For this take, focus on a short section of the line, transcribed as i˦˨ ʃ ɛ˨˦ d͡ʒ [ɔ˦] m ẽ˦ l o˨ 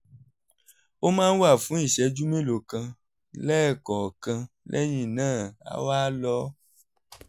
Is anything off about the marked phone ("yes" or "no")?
yes